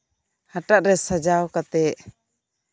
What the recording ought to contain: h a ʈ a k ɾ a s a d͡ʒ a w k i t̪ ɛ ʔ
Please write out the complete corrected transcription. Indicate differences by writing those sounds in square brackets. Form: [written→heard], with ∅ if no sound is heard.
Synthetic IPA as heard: h a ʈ a [k→ʔ] ɾ [a→ɛ] s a d͡ʒ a w k [i→a] t̪ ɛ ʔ